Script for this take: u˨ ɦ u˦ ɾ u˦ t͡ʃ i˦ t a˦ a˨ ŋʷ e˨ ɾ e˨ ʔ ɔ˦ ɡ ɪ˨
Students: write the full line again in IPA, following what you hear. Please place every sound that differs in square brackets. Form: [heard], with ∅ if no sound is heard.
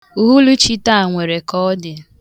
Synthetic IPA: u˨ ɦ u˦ [l] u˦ t͡ʃ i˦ t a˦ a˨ ŋʷ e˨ ɾ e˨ [k] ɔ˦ [d] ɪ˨